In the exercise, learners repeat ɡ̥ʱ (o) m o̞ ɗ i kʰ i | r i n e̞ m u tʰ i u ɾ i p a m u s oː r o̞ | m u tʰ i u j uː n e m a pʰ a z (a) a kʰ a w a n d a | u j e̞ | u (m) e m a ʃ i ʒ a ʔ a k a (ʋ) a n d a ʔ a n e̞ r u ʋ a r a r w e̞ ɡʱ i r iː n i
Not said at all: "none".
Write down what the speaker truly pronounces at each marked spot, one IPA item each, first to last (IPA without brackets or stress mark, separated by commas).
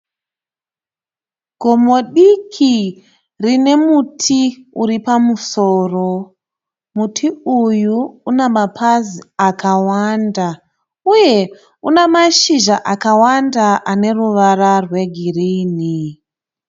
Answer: o, i, n, w